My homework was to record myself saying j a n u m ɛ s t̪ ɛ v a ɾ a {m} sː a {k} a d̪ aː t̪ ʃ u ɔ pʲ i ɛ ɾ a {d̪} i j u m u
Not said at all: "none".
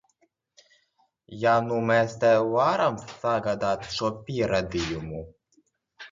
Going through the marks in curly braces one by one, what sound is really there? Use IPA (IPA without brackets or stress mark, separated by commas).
m, ɡ, d̪